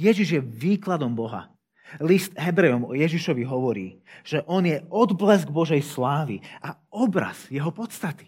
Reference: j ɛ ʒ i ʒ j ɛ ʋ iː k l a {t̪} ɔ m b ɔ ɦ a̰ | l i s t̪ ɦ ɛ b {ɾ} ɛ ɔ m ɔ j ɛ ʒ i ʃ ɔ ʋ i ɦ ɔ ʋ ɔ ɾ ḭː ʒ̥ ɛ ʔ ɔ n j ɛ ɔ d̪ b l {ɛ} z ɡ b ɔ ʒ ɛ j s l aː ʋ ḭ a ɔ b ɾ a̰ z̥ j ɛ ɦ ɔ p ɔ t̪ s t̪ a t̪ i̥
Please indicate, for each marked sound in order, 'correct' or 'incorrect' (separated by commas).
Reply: incorrect, correct, correct